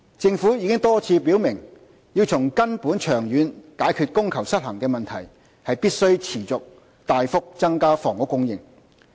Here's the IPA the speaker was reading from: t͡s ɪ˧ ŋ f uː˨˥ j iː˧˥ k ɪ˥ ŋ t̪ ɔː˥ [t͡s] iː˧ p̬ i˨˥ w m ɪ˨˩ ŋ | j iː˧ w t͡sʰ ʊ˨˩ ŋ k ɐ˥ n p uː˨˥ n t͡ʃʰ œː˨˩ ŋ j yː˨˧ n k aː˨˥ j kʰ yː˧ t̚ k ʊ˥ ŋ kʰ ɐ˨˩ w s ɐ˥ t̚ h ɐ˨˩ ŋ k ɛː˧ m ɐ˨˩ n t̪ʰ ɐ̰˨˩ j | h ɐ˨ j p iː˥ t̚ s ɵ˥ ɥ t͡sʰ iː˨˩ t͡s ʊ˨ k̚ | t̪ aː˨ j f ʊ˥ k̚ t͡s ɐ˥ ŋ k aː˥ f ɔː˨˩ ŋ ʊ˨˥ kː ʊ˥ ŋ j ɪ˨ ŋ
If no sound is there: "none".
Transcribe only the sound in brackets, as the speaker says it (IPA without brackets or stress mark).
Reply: t͡sʰ